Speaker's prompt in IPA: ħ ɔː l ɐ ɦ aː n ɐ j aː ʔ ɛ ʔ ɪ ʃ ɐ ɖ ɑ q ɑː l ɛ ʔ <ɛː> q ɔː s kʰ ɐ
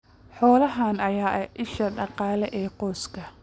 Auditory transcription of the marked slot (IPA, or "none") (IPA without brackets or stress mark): ɛː